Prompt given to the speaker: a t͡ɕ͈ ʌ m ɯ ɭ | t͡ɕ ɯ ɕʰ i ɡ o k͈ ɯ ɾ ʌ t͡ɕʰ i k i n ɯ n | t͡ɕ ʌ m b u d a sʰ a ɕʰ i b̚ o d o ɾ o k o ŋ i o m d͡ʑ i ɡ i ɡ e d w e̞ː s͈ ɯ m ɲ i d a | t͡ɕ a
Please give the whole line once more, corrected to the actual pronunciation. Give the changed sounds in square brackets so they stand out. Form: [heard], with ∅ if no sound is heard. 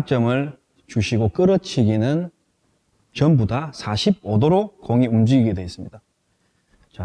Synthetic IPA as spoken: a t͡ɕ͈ ʌ m ɯ ɭ | t͡ɕ [u] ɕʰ i ɡ o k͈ ɯ ɾ ʌ t͡ɕʰ i [ɡ] i n ɯ n | t͡ɕ ʌ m b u d a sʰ a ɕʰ i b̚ o d o ɾ o k o ŋ i [u] m d͡ʑ i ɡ i ɡ e d w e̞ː s͈ ɯ m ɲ i d a | t͡ɕ a

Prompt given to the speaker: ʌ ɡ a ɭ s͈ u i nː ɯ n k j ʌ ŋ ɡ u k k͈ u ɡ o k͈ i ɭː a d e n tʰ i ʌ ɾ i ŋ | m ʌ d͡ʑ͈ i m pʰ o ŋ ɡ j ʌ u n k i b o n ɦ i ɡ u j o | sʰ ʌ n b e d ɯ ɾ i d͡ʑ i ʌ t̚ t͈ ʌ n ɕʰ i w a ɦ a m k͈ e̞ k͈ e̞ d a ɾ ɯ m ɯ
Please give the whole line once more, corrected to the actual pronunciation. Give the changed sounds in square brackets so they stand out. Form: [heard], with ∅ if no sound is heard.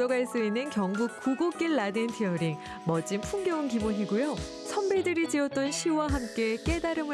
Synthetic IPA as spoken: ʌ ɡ a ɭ s͈ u i nː ɯ n k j ʌ ŋ ɡ u k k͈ u ɡ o k͈ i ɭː a d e n tʰ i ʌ ɾ i ŋ | m ʌ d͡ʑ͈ i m pʰ [u] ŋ ɡ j ʌ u n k i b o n ɦ i ɡ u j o | sʰ ʌ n b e d ɯ ɾ i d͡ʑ i ʌ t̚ t͈ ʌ n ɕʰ i w a ɦ a m k͈ e̞ k͈ e̞ d a ɾ ɯ m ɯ

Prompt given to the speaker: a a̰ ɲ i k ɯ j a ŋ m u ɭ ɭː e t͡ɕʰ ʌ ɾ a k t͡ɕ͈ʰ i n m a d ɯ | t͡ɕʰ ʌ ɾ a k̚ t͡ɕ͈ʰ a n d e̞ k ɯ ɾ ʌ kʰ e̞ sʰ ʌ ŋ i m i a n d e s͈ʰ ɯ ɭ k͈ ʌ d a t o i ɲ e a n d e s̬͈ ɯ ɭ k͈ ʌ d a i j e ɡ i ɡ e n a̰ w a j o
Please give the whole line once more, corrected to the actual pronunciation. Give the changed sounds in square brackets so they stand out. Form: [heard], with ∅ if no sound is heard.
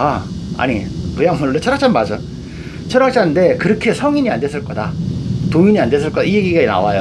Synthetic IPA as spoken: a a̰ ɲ i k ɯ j a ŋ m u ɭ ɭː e t͡ɕʰ ʌ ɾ a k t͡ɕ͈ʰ [a] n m a [d͡ʑ] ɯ | t͡ɕʰ ʌ ɾ a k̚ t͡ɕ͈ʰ a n d e̞ k ɯ ɾ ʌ kʰ e̞ sʰ ʌ ŋ i [ɲ] i a n d e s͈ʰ ɯ ɭ k͈ ʌ d a t o i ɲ [i] a n d e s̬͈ ɯ ɭ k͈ ʌ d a i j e ɡ i ɡ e n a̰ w a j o

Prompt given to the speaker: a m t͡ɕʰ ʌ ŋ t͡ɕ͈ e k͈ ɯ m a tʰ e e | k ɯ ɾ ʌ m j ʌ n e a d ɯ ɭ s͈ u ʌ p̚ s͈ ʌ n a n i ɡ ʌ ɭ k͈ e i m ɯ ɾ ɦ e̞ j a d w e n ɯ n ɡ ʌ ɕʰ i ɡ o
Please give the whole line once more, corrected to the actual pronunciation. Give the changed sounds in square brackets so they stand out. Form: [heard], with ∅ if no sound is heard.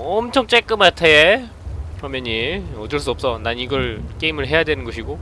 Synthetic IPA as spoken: [ʌ] m t͡ɕʰ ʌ ŋ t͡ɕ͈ e k͈ ɯ m a tʰ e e | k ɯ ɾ ʌ m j ʌ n e [ʌ] d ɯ ɭ s͈ u ʌ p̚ s͈ ʌ n a n i ɡ ʌ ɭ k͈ e i m ɯ [ɭ] ɦ e̞ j a d w e n ɯ n ɡ ʌ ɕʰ i ɡ o

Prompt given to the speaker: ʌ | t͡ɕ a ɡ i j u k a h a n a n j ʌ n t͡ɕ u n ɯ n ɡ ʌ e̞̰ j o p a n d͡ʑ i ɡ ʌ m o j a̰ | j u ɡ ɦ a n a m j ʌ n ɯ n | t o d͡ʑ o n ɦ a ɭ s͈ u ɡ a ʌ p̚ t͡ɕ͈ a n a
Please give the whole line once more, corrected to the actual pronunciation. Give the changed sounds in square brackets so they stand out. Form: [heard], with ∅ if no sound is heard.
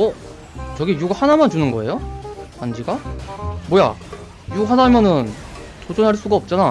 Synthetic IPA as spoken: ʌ | t͡ɕ [ʌ] ɡ i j u [ɡ] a h a n a [m] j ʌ n t͡ɕ u n ɯ n ɡ ʌ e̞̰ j o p a n d͡ʑ i ɡ [a] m o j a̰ | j u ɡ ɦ a n a m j ʌ n ɯ n | t o d͡ʑ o n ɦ a ɭ s͈ u ɡ a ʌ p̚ t͡ɕ͈ a n a

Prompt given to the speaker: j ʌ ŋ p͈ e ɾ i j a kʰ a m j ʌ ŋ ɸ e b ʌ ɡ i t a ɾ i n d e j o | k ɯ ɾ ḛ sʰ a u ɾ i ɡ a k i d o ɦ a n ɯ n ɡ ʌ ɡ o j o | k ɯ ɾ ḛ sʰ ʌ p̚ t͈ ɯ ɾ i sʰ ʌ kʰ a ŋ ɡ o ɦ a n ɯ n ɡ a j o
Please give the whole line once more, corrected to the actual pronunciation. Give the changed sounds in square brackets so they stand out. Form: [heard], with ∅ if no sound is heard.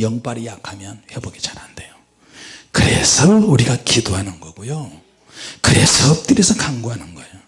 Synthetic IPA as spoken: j ʌ ŋ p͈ [a] ɾ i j a kʰ a m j ʌ [n] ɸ e b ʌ ɡ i [t͡ɕ] a ɾ [a] n d e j o | k ɯ ɾ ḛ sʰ [ʌ] u ɾ i ɡ a k i d o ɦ a n ɯ n ɡ ʌ ɡ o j o | k ɯ ɾ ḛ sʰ ʌ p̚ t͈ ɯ ɾ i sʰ ʌ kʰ a ŋ ɡ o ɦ a n ɯ n ɡ [ʌ] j o

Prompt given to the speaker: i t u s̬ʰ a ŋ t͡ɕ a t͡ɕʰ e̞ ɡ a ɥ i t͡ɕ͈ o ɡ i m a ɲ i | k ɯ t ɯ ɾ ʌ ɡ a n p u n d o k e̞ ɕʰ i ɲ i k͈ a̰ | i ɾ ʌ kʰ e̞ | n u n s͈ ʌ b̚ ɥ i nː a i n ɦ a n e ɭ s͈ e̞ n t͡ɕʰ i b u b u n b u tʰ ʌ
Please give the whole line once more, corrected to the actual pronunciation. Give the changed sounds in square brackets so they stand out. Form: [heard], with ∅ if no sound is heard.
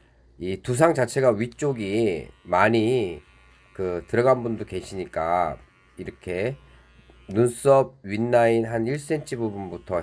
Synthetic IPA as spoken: i t u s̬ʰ a ŋ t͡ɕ a t͡ɕʰ e̞ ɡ a ɥ i t͡ɕ͈ o ɡ i m a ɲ i | k ɯ t ɯ ɾ ʌ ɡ a n [b] u n d o k e̞ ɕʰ i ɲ i k͈ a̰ | i ɾ ʌ kʰ e̞ | n u n s͈ ʌ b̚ ɥ i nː a i n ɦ a n [i] ɭ s͈ e̞ n t͡ɕʰ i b u b u n b u tʰ ʌ

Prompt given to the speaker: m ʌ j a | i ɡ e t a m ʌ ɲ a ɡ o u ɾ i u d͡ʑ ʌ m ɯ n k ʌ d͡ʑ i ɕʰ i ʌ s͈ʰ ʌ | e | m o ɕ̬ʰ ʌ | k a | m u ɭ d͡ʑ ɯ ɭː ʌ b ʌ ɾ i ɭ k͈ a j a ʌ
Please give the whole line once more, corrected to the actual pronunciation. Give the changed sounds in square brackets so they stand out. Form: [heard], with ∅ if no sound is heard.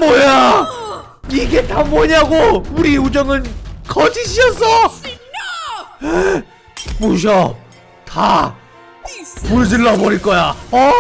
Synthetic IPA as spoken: m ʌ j a | i ɡ e t a m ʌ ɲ a ɡ o u ɾ i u d͡ʑ ʌ [ŋ] ɯ n k ʌ d͡ʑ i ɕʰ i ʌ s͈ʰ ʌ | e | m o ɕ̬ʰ ʌ | [t] a | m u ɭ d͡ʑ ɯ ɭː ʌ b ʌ ɾ i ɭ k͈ [ʌ] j a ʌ

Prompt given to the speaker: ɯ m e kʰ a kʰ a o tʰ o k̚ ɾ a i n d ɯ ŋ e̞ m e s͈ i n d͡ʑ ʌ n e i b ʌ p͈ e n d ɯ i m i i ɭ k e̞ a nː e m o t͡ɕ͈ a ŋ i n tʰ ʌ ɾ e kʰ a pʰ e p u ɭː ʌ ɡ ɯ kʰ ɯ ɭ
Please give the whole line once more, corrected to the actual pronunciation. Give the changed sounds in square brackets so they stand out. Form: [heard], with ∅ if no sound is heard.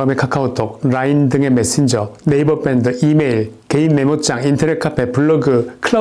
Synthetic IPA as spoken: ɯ m e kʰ a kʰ a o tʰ o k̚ ɾ a i n d ɯ ŋ e̞ m e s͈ i n d͡ʑ ʌ n e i b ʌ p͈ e n d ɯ i m [e] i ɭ k e̞ [i] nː e m o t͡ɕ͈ a ŋ i n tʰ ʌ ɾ e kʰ a pʰ e p u ɭː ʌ ɡ ɯ kʰ ɯ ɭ

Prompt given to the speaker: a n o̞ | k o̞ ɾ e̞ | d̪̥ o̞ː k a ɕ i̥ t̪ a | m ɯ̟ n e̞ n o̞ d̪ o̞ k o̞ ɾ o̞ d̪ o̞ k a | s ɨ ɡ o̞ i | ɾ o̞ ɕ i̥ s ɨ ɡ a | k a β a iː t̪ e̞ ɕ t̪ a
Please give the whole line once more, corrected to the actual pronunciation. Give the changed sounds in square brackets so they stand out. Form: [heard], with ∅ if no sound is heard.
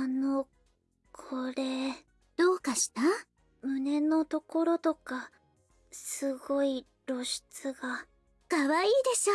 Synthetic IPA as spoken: a n o̞ | [kʰ] o̞ ɾ e̞ | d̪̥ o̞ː k a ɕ i̥ t̪ a | m ɯ̟ n e̞ n o̞ [t̪] o̞ k o̞ ɾ o̞ [t̪] o̞ k a | s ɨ ɡ o̞ i | ɾ o̞ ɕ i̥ [t͡s] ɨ ɡ a | k a β a iː [d̪] e̞ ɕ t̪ a

